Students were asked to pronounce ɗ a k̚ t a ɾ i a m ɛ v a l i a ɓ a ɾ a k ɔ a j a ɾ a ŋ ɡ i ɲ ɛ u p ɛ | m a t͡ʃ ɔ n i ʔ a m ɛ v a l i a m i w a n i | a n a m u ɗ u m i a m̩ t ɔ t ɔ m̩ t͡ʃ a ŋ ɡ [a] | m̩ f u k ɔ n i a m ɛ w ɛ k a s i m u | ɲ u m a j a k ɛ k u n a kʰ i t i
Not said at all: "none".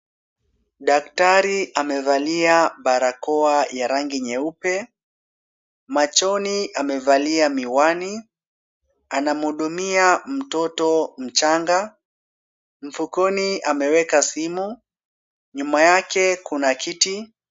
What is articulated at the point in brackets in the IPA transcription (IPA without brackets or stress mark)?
a